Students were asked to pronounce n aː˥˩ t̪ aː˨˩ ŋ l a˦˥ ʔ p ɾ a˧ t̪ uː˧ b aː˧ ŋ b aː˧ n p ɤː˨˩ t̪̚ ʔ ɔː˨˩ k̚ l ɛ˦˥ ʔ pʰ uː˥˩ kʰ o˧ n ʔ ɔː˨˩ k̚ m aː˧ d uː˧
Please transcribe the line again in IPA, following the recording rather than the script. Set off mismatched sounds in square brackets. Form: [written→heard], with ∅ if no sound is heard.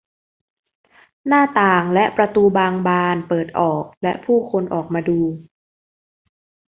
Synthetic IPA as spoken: n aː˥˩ t̪ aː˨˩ ŋ l [a˦˥→ɛ˦˥] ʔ p ɾ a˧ t̪ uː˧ b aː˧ ŋ b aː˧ n p ɤː˨˩ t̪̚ ʔ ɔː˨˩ k̚ l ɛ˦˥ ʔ pʰ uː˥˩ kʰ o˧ n ʔ ɔː˨˩ k̚ m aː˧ d uː˧

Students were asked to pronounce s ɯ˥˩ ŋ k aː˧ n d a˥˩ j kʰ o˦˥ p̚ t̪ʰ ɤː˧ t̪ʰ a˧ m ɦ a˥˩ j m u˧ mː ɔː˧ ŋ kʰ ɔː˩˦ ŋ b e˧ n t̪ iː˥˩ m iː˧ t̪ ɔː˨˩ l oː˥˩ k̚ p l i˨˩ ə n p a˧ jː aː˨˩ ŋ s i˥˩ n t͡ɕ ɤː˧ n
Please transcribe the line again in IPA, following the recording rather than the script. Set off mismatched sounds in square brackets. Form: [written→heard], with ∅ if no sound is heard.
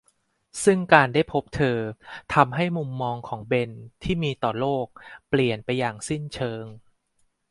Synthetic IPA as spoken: s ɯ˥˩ ŋ k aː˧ n d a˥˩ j [kʰ→pʰ] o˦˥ p̚ t̪ʰ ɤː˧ t̪ʰ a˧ m ɦ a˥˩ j m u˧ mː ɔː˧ ŋ kʰ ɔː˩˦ ŋ b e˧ n [t̪→t̪ʰ] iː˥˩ m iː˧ t̪ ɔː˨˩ l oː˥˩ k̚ p l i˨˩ ə n p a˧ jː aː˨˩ ŋ s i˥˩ n [t͡ɕ→t͡ɕʰ] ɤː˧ [n→ŋ]

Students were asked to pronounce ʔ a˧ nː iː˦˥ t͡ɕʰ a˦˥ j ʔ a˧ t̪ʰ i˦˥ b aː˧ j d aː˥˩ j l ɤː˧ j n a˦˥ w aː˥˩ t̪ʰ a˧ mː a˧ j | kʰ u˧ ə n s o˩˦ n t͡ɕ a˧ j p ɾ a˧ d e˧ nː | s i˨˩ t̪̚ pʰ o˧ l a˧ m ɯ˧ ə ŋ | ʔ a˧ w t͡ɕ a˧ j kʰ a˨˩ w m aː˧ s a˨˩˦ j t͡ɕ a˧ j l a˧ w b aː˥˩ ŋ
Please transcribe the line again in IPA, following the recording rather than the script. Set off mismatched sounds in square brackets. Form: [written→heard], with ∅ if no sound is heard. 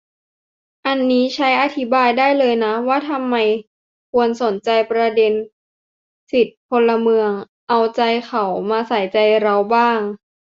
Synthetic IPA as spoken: ʔ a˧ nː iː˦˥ t͡ɕʰ a˦˥ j ʔ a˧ t̪ʰ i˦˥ b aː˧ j d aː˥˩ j l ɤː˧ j n a˦˥ w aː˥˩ t̪ʰ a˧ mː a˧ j | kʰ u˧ ə n s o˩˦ n t͡ɕ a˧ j p ɾ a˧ d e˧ [nː→n] | s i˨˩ t̪̚ pʰ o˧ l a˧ m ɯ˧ ə ŋ | ʔ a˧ w t͡ɕ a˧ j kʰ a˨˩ w m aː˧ s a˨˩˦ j t͡ɕ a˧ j [l→ɾ] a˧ w b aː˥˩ ŋ

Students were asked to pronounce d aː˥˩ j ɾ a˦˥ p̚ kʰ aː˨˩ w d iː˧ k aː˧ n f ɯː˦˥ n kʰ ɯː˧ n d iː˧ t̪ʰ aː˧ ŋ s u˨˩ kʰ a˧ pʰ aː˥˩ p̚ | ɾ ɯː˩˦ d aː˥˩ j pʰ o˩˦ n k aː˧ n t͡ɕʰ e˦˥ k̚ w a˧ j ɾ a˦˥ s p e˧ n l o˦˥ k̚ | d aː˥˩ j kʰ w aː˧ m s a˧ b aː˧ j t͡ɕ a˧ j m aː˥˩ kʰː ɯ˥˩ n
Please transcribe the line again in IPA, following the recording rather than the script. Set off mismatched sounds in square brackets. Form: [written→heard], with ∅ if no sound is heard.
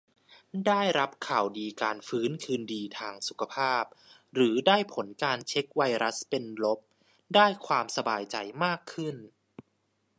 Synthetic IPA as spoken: d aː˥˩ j ɾ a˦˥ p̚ kʰ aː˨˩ w d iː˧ k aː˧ n f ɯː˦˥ n kʰ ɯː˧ n d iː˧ t̪ʰ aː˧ ŋ s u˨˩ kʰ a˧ pʰ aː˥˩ p̚ | ɾ ɯː˩˦ d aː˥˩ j pʰ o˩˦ n k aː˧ n t͡ɕʰ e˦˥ k̚ w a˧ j ɾ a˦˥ s p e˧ n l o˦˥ [k̚→p̚] | d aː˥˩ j kʰ w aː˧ m s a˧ b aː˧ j t͡ɕ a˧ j m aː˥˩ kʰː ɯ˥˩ n

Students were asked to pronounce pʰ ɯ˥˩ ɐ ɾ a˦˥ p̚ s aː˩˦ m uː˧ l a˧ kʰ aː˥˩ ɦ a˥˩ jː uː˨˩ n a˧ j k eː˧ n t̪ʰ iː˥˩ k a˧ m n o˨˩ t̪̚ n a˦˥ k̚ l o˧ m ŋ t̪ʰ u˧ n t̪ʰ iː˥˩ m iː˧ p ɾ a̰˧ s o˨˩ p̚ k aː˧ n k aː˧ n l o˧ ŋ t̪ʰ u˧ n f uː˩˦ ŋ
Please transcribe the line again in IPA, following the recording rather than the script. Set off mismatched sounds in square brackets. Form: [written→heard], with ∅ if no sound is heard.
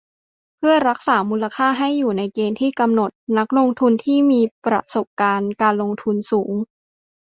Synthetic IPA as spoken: pʰ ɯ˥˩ ɐ ɾ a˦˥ [p̚→k̚] s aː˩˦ m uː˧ l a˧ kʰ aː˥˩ ɦ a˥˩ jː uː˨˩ n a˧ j k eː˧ n t̪ʰ iː˥˩ k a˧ m n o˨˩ t̪̚ n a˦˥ k̚ l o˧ [m→∅] ŋ t̪ʰ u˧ n t̪ʰ iː˥˩ m iː˧ p ɾ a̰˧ s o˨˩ p̚ k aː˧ n k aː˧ n l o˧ ŋ t̪ʰ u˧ n [f→s] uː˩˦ ŋ

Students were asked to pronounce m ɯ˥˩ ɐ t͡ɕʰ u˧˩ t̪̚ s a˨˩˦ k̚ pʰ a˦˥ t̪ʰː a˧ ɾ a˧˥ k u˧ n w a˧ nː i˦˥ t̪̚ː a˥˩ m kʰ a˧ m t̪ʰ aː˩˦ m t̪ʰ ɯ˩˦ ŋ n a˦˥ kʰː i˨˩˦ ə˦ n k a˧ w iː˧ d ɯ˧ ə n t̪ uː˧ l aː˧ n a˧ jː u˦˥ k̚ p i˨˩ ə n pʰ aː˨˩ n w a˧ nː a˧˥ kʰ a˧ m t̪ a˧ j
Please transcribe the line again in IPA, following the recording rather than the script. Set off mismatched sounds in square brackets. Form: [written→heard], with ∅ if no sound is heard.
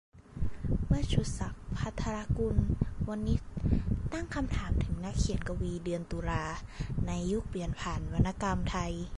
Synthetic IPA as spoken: m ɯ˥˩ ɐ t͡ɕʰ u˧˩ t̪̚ s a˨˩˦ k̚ pʰ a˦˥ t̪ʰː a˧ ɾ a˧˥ k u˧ n w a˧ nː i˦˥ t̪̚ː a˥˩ [m→ŋ] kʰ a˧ m t̪ʰ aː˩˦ m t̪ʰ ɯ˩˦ ŋ n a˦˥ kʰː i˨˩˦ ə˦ n k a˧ w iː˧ d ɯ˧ ə n t̪ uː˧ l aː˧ n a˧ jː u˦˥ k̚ p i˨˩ ə n pʰ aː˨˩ n w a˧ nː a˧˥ [kʰ→k] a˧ m [t̪→t̪ʰ] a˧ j

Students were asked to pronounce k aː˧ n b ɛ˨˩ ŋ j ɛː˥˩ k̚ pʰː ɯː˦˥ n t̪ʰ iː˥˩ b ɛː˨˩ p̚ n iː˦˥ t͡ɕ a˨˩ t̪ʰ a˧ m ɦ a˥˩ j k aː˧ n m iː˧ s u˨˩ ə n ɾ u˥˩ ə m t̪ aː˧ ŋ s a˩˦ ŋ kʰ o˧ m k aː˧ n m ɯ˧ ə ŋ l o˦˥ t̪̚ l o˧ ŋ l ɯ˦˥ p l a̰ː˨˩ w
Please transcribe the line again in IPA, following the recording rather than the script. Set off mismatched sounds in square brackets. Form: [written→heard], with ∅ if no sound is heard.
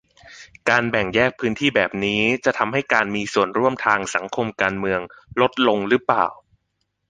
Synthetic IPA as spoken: k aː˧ n b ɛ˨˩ ŋ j ɛː˥˩ k̚ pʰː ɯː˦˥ n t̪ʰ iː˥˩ b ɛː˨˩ p̚ n iː˦˥ t͡ɕ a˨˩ t̪ʰ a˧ m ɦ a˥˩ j k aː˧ n m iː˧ s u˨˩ ə n ɾ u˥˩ ə m [t̪→t̪ʰ] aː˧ ŋ s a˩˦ ŋ kʰ o˧ m k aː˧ n m ɯ˧ ə ŋ l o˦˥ t̪̚ l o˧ ŋ [l→ɾ] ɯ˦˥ p l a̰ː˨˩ w

